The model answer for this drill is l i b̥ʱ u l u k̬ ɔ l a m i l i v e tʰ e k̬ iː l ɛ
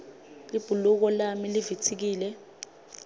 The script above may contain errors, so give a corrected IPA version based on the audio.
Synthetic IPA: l i b̥ʱ u l u k̬ ɔ l a m i l i v i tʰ i k̬ iː l ɛ